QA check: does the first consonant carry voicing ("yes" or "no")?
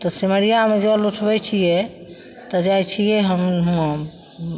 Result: no